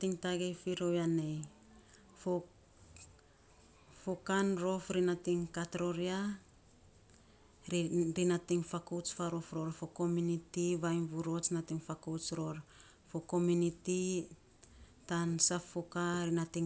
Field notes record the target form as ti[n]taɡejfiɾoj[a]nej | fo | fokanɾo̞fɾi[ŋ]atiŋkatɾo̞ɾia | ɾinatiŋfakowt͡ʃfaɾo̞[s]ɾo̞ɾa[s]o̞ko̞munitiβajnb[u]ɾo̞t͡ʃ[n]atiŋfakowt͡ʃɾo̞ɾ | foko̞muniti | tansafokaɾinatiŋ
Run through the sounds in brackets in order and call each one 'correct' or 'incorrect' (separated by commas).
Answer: incorrect, correct, incorrect, incorrect, incorrect, correct, correct